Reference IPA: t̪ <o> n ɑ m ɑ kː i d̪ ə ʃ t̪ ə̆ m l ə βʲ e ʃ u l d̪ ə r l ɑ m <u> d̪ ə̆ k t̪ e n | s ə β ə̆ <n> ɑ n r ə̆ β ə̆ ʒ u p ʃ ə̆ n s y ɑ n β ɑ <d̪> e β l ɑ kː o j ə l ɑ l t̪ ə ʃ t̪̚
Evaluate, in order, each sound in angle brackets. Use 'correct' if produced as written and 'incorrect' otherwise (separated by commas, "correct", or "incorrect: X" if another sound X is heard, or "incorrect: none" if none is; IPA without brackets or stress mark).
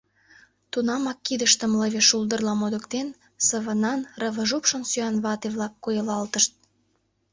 incorrect: u, incorrect: o, correct, incorrect: t̪